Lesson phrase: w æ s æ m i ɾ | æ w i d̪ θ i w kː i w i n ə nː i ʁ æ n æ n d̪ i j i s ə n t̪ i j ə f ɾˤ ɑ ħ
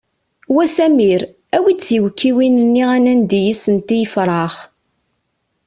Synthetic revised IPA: w æ s æ m i ɾ | æ w i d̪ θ i w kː i w i n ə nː i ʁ æ n æ n d̪ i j i s ə n t̪ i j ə f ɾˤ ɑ χ